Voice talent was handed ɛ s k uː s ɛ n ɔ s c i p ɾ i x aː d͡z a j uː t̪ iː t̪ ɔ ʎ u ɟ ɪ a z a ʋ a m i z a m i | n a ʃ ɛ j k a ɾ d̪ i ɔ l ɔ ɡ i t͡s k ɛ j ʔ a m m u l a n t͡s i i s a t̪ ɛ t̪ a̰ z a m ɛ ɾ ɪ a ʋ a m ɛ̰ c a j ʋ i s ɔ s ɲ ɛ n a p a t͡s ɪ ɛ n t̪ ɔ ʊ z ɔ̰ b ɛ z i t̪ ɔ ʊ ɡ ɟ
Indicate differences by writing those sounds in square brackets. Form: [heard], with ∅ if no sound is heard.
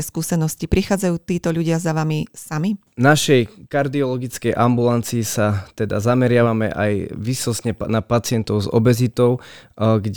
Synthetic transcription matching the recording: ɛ s k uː s ɛ n ɔ s c i p ɾ i x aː d͡z a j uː t̪ iː t̪ ɔ ʎ u ɟ ɪ a z a ʋ a m i [s] a m i | n a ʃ ɛ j k a ɾ d̪ i ɔ l ɔ ɡ i t͡s k ɛ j ʔ a m [b] u l a n t͡s i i s a t̪ ɛ [d̪] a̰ z a m ɛ ɾ ɪ a ʋ a m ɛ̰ [ʔ] a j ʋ i s ɔ s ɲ ɛ n a p a t͡s ɪ ɛ n t̪ ɔ ʊ z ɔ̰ b ɛ z i t̪ ɔ ʊ ɡ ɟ